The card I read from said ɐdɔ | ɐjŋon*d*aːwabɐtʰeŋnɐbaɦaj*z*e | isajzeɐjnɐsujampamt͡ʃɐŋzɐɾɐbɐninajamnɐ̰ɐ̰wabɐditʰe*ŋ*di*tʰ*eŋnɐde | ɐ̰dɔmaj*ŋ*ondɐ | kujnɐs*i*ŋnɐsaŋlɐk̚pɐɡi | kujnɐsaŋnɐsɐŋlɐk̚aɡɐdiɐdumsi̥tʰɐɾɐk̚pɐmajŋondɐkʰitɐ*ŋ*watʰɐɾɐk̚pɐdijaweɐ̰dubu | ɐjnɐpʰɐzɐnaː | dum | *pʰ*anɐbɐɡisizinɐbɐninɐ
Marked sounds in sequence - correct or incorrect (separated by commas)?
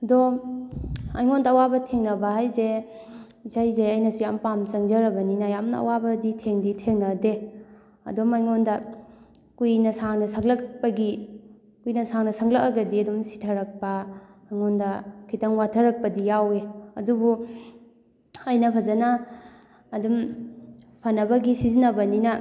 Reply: correct, correct, correct, correct, correct, incorrect, correct, correct